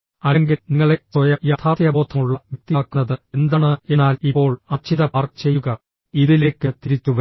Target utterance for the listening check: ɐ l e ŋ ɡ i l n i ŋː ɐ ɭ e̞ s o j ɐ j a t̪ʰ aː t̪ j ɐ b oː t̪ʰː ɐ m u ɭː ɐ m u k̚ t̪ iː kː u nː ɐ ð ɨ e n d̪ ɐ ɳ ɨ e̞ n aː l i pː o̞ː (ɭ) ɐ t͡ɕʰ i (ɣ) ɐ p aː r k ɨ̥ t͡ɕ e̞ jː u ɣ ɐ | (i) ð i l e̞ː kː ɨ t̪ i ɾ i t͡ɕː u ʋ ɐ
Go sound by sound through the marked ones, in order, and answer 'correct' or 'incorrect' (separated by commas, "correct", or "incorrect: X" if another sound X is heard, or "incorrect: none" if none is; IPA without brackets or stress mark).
correct, incorrect: ð, correct